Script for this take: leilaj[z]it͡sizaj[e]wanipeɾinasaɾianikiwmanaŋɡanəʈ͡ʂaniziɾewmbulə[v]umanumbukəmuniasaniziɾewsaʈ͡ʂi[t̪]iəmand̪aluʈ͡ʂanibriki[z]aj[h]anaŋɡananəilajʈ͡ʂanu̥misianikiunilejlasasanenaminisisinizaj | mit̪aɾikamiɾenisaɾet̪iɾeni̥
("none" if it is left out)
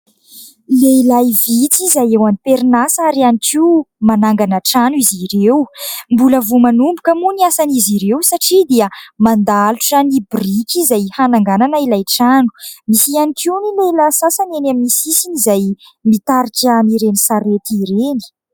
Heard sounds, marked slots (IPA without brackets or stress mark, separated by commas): v, e, v, d̪, z, h